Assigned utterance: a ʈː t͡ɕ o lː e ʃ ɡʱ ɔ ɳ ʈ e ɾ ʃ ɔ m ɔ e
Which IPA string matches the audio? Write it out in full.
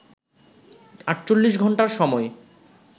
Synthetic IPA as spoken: a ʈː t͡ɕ o lː i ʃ ɡʱ ɔ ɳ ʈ a ɾ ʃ ɔ m ɔ e